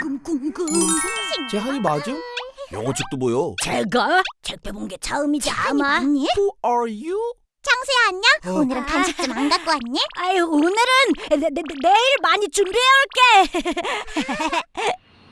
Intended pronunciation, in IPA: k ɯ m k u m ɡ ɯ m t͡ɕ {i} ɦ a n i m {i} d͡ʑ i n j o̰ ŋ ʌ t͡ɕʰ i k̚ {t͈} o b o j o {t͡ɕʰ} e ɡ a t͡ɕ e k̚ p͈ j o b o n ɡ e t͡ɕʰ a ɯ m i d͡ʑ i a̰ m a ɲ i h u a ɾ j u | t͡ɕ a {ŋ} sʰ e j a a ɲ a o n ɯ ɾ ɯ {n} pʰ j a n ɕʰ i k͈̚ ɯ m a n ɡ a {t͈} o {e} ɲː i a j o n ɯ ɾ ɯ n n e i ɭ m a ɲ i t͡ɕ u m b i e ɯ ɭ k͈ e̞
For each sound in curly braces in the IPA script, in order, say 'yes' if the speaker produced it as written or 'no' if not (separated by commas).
no, no, yes, no, yes, yes, no, no